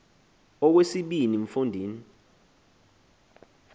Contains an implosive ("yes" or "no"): yes